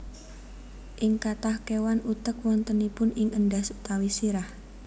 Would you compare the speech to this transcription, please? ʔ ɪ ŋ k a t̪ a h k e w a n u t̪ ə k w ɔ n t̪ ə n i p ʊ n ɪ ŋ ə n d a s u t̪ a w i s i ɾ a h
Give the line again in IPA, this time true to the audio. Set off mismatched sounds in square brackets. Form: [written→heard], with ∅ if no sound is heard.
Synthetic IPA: ʔ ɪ ŋ k a t̪ a h k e w a n u t̪ ə k w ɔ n t̪ ə n i p ʊ n ɪ ŋ ə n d a s u t̪ a w i s i ɾ a h